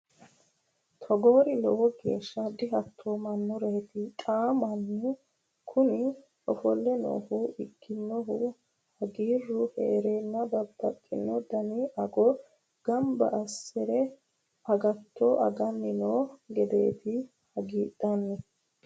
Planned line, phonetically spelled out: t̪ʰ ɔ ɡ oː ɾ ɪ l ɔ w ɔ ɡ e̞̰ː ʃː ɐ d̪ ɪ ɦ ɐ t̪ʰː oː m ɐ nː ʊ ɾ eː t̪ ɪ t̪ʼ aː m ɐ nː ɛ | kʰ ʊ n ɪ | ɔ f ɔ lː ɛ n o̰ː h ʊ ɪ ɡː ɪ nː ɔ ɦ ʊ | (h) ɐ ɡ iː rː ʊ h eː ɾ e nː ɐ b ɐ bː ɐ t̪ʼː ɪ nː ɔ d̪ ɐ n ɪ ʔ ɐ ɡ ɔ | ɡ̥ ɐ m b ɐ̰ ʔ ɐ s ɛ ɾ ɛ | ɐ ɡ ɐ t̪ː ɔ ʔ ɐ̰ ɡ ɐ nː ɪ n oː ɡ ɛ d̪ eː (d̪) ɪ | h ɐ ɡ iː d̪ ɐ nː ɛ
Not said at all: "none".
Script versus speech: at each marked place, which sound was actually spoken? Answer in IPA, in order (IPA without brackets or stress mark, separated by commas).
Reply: h, t̪